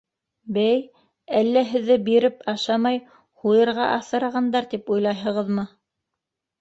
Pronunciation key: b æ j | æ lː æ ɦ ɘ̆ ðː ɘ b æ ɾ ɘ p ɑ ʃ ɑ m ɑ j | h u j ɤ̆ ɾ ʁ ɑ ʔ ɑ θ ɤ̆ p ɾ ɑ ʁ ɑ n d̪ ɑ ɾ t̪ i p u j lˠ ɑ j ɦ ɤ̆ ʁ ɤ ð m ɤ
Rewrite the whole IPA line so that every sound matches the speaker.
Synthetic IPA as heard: b æ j | æ lː æ ɦ ɘ̆ ðː ɘ b i ɾ ɘ p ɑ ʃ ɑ m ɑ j | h u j ɤ̆ ɾ ʁ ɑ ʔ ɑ θ ɤ̆ ɾ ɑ ʁ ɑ n d̪ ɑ ɾ t̪ i p u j lˠ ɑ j ɦ ɤ̆ ʁ ɤ ð m ɤ